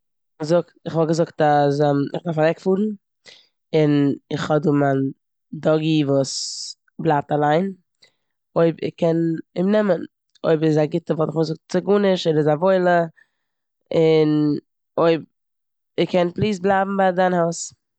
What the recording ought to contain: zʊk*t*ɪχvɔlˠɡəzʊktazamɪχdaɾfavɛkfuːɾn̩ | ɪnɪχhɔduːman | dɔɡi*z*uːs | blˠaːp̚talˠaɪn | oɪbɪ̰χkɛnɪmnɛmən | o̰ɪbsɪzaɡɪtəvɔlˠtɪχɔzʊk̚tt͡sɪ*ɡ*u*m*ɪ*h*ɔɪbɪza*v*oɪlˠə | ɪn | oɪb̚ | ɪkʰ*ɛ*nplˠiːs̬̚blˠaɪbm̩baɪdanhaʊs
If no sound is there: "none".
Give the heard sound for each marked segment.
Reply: t, v, ɡ, n, ʃ, v, ɛ

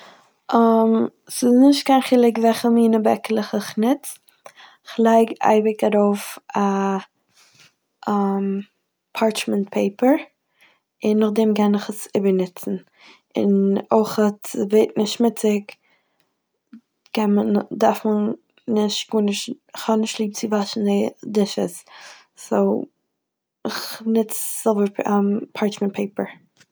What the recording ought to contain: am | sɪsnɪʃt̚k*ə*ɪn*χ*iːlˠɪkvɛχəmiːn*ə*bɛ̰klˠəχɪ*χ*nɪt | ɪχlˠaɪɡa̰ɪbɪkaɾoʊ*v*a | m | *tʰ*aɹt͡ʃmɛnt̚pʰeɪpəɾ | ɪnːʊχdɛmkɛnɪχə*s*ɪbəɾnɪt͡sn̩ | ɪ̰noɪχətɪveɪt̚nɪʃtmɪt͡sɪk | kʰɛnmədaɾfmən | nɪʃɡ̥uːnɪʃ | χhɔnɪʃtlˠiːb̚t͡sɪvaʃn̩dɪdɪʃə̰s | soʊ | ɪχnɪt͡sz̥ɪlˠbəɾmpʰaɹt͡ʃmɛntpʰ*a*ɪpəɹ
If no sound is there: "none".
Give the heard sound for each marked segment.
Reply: a, χ, ə, χ, f, pʰ, s, e

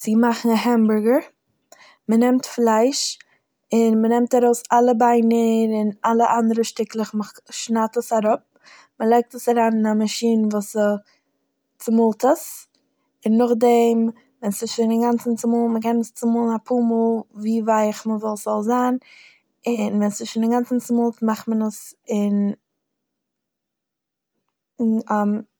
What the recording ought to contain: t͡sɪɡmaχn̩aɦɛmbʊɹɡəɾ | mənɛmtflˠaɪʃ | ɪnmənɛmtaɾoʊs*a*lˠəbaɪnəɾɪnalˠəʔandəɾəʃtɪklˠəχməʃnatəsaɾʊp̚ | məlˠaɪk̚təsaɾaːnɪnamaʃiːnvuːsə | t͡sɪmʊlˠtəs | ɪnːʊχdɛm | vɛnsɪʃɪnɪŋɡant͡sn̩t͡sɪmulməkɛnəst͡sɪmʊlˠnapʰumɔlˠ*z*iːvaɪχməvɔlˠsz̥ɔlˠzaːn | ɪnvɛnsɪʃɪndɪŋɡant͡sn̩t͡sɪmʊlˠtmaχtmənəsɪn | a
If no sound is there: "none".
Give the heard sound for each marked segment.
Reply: a, v

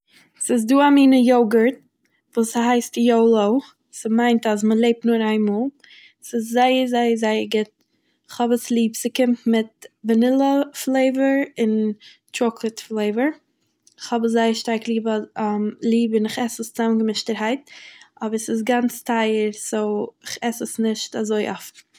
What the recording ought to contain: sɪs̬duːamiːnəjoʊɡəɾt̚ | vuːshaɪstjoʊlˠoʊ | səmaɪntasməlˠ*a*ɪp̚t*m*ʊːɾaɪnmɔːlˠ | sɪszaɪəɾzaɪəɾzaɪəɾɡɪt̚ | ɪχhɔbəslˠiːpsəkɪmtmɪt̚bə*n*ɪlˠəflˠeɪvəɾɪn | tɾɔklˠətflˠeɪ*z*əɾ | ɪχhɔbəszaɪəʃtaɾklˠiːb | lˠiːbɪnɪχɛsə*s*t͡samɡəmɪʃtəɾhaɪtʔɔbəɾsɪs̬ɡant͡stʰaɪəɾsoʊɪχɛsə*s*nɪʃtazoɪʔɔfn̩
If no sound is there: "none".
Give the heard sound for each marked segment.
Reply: e, n, n, v, s, s

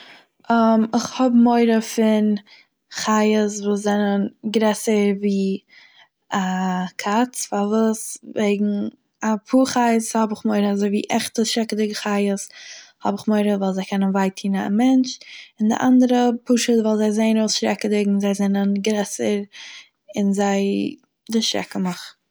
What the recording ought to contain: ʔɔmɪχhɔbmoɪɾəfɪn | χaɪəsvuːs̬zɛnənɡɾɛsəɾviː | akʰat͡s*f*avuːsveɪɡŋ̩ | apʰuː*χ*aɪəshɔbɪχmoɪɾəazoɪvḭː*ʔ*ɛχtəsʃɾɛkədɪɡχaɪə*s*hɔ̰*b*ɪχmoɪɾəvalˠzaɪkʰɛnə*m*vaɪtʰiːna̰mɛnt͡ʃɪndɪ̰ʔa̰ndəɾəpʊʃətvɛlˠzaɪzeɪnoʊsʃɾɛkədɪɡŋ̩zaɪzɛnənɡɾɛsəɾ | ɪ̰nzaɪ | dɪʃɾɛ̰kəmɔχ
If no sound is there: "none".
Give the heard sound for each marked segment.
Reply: f, χ, ʔ, s, b, n

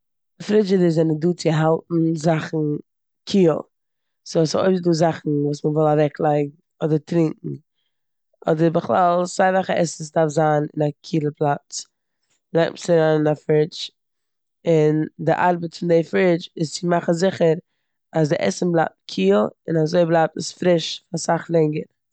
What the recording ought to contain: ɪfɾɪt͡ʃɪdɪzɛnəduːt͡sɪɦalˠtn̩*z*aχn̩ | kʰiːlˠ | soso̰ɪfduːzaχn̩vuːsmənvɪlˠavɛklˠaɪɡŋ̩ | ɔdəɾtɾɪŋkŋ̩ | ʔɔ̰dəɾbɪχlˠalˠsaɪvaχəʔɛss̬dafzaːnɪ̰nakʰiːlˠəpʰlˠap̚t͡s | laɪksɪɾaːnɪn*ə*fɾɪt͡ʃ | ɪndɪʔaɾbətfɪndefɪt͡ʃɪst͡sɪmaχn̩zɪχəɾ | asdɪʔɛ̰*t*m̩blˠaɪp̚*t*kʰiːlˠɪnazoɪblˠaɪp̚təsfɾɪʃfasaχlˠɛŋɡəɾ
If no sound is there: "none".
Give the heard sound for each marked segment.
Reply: z, a, s, t

